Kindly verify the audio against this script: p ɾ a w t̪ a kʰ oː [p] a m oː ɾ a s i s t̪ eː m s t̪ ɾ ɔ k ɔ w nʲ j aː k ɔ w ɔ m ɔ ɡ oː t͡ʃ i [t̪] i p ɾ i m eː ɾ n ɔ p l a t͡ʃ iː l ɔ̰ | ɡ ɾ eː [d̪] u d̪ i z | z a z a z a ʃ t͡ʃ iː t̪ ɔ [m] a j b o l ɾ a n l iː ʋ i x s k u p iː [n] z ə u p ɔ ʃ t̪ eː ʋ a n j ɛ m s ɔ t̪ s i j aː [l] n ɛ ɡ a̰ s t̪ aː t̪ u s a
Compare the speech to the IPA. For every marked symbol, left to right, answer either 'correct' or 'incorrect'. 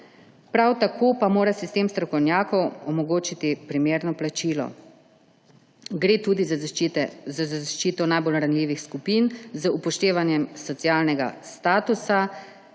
correct, correct, incorrect, incorrect, correct, correct

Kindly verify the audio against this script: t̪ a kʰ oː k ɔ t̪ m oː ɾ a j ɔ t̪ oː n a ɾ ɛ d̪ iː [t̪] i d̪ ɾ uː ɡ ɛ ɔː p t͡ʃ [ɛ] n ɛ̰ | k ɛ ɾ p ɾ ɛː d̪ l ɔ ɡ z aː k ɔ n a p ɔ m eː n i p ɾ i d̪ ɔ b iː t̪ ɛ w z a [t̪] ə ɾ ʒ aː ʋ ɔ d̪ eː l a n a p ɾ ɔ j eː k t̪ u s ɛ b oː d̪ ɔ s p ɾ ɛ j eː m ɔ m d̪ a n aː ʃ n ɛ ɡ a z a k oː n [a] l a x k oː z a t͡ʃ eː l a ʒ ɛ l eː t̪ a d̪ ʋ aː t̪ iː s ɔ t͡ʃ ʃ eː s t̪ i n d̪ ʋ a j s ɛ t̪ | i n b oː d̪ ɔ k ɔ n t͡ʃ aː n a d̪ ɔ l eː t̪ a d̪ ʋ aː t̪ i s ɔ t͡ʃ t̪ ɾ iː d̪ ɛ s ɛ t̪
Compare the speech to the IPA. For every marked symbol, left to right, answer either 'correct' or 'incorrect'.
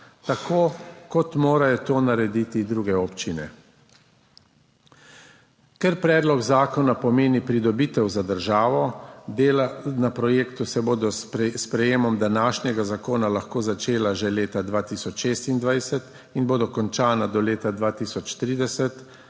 correct, incorrect, incorrect, correct

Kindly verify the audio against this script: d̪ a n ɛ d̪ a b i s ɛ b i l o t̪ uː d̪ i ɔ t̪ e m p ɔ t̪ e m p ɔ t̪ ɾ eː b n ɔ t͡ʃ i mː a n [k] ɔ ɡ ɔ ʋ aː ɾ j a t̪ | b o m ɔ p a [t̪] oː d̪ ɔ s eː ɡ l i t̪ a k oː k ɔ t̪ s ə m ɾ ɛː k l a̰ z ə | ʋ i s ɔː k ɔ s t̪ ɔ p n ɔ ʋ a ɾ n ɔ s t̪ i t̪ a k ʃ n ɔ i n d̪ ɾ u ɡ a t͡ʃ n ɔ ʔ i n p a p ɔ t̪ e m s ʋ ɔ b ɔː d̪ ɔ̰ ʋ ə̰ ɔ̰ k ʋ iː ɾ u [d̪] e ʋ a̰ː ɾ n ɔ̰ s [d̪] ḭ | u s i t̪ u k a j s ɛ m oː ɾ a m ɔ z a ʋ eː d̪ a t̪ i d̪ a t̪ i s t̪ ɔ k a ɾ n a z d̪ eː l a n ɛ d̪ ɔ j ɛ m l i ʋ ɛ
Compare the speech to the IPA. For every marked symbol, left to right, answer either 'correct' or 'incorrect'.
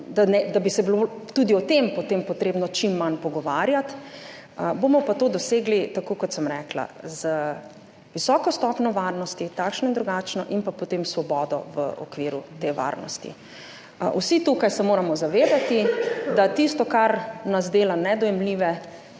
incorrect, correct, incorrect, incorrect

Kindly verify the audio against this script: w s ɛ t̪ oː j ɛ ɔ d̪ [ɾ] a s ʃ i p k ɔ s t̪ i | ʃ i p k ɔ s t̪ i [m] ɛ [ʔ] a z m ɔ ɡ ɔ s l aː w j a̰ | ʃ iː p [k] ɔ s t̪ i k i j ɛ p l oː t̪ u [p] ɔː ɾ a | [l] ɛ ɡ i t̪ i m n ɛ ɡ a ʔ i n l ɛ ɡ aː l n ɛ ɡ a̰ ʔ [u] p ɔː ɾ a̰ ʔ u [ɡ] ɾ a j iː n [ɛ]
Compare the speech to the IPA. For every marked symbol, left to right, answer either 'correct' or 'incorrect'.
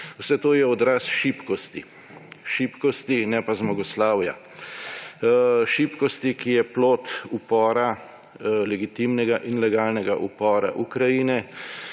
correct, incorrect, incorrect, correct, correct, correct, correct, incorrect, correct

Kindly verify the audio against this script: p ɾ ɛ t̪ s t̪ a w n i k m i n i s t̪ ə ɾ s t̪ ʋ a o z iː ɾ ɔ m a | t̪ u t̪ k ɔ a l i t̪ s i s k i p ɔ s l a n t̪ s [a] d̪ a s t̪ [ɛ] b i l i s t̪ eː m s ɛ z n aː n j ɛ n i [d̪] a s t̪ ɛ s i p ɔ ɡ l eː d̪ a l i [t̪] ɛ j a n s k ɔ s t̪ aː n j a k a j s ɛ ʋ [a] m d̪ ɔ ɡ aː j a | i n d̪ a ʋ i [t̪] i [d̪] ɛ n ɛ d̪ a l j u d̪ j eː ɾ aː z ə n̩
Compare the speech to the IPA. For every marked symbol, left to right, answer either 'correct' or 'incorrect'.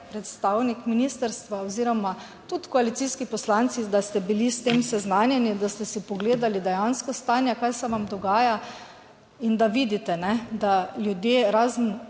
incorrect, correct, correct, incorrect, correct, incorrect, incorrect

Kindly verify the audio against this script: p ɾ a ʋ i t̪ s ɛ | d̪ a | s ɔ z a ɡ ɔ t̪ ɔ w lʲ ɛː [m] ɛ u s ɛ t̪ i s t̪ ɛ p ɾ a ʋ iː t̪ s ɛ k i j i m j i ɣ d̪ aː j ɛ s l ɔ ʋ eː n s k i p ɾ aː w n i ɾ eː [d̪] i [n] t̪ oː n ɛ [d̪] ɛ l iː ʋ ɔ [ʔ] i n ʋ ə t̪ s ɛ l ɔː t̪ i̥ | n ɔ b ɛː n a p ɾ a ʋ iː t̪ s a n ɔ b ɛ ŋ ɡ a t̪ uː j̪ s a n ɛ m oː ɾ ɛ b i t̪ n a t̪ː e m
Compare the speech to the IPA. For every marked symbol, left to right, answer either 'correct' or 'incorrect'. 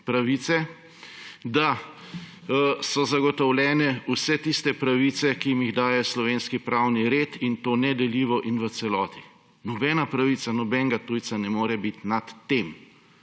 incorrect, incorrect, correct, correct, correct

